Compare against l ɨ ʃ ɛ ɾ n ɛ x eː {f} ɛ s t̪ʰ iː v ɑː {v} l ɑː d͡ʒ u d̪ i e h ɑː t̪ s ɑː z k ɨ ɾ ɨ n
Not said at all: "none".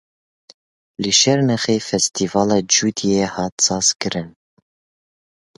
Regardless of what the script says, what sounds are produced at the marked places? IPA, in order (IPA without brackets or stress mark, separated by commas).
f, none